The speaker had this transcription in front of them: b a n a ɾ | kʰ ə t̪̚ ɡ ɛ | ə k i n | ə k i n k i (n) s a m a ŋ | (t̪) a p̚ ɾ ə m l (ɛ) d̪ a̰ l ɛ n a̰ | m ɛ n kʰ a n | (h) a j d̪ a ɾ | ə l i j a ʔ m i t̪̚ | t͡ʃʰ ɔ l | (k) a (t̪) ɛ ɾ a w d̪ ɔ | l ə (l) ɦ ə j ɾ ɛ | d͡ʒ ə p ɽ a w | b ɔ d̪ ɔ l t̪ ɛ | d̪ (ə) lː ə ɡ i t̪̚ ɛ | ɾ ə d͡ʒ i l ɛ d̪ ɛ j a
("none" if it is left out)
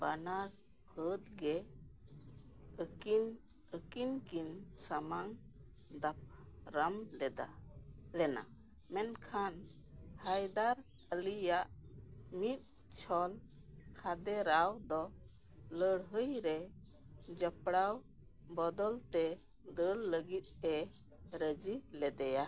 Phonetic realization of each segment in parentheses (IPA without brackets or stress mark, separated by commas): n, d̪, ɛ, h, kʰ, d̪, ɽ, ə